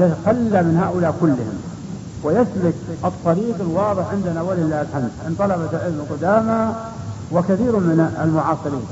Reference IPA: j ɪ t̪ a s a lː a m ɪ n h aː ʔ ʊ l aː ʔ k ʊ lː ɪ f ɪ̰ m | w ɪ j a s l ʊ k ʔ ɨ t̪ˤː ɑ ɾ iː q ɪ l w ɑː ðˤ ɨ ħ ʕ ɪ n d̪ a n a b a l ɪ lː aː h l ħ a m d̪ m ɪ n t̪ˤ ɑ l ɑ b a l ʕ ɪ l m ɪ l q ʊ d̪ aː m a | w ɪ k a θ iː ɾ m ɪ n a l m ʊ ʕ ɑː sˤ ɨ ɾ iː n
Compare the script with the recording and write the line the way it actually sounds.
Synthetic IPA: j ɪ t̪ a x a lː a m ɪ n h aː ʔ ʊ l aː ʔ k ʊ lː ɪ h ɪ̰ m | w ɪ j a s l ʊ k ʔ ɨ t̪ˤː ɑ ɾ iː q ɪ l w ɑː ðˤ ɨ ħ ʕ ɪ n d̪ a n a w a l ɪ lː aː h l ħ a m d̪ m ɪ n t̪ˤ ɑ l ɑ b a l ʕ ɪ l m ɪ l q ʊ d̪ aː m a | w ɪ k a θ iː ɾ m ɪ n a l m ʊ ʕ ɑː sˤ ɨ ɾ iː n